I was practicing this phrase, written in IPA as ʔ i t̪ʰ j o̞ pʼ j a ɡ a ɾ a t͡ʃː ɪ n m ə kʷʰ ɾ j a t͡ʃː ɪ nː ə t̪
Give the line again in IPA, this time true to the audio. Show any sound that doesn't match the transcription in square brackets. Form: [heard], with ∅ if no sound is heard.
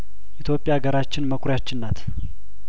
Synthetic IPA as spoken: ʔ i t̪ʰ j o̞ pʼ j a ɡ [ə] ɾ a t͡ʃː ɪ n m ə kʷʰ ɾ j a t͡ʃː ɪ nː [a] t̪